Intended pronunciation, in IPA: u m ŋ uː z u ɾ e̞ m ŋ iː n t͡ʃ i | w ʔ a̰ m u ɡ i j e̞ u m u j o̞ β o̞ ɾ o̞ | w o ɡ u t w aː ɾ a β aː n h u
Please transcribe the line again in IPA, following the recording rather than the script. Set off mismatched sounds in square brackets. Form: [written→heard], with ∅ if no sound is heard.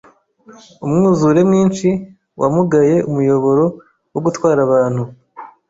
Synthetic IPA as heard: u m ŋ uː z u ɾ e̞ m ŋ iː n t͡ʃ i | w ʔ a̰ m u ɡ [i→a] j e̞ u m u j o̞ β o̞ ɾ o̞ | w o ɡ u t w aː ɾ a β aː n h u